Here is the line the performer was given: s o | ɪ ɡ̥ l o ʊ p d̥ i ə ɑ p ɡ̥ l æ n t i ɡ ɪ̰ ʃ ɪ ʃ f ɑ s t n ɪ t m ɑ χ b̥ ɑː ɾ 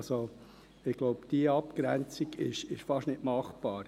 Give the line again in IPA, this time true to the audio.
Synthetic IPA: s o | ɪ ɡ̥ l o ʊ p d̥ i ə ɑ p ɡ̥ ɾ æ n t͡s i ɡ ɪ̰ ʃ ɪ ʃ f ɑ ʃ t n ɪ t m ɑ χ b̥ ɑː ɾ